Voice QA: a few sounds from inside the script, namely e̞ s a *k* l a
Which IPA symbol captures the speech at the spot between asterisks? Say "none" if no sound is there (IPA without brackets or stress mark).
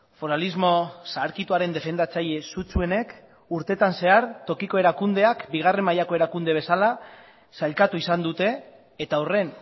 none